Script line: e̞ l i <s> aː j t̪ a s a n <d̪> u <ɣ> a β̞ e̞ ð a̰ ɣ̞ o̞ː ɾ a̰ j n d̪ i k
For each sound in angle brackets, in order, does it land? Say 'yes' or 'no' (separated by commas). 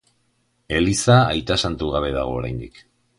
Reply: yes, no, yes